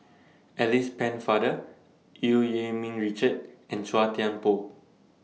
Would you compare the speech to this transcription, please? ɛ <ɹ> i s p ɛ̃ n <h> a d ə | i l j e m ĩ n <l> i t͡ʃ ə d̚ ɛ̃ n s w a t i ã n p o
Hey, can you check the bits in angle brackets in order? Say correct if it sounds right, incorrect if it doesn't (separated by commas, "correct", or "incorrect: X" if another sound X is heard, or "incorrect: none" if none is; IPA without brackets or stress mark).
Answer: incorrect: l, incorrect: f, incorrect: ɹ